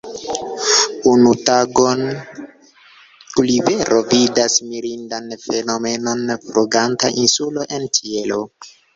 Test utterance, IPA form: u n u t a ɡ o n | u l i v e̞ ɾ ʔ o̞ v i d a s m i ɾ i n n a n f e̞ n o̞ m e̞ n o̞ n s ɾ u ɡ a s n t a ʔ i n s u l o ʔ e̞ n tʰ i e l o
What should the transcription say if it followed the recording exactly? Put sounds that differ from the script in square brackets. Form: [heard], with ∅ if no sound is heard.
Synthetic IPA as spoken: u n u t a ɡ o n | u l i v e̞ ɾ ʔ o̞ v i d a s m i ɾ i n [d] a n f e̞ n o̞ m e̞ n o̞ n [f] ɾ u ɡ a [∅] n t a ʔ i n s u l o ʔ e̞ n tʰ i e l o